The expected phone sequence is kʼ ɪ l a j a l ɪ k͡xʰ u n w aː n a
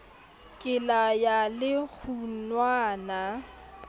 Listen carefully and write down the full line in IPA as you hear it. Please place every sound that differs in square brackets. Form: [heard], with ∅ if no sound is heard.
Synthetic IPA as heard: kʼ ɪ l a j a l ɪ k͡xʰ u n w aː n a